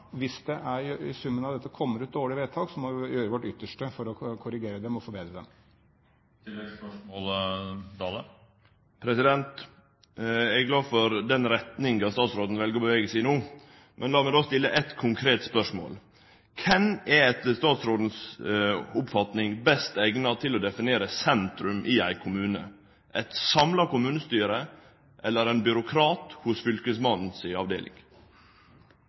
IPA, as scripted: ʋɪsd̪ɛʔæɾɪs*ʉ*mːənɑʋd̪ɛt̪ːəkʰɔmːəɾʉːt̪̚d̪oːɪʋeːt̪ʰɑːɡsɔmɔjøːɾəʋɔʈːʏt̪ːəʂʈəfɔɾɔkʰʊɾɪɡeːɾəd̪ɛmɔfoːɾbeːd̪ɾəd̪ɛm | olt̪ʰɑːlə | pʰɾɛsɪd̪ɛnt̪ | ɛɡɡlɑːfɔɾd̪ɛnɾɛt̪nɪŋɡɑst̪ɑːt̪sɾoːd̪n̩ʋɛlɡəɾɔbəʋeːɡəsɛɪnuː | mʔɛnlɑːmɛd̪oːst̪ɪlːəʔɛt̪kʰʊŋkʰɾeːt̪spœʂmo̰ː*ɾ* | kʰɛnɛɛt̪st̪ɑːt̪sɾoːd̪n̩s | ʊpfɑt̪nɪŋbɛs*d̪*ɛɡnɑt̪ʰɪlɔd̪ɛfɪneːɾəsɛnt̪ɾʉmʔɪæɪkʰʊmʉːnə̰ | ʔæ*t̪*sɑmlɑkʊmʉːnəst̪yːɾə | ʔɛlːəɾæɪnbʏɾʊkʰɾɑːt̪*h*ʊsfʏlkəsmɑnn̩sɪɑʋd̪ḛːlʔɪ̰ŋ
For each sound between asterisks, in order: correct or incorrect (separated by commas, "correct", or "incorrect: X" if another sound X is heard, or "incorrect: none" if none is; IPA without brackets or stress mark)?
correct, incorrect: l, incorrect: t̪, correct, correct